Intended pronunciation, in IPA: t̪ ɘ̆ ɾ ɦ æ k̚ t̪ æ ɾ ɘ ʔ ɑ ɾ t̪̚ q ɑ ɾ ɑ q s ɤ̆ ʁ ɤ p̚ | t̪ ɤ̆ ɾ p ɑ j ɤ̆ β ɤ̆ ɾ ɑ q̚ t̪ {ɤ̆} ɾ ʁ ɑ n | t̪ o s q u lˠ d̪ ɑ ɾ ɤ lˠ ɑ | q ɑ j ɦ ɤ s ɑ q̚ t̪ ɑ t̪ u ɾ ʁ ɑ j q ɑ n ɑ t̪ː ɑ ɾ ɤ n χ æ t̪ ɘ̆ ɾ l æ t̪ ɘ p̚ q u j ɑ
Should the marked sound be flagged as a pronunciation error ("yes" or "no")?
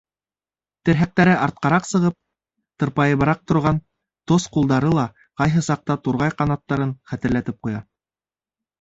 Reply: yes